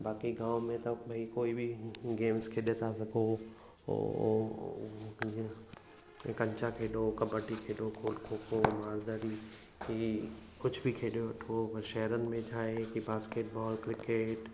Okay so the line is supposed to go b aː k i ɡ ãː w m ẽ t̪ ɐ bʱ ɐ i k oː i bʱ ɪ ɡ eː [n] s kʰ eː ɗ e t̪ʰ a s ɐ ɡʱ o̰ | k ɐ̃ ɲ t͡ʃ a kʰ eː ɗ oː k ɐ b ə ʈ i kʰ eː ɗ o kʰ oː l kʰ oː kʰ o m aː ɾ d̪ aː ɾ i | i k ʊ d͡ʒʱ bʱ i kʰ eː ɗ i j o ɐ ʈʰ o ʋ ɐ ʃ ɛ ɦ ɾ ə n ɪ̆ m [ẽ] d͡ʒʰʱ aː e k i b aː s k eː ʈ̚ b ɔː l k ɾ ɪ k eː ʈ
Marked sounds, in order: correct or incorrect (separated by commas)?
incorrect, correct